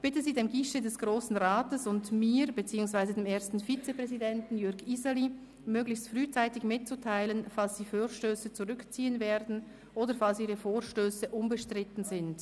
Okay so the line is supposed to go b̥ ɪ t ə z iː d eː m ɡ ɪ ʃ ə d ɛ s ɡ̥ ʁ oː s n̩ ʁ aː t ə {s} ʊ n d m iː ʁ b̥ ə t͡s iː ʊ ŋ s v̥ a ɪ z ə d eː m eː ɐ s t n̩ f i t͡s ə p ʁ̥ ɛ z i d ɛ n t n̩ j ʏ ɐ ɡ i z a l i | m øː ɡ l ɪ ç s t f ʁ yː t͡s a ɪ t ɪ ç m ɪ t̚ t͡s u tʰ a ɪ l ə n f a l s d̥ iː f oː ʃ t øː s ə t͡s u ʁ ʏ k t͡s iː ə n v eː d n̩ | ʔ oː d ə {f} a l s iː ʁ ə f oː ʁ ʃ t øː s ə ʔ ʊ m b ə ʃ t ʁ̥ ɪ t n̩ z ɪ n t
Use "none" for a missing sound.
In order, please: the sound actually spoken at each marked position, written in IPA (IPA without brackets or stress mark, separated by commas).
s, f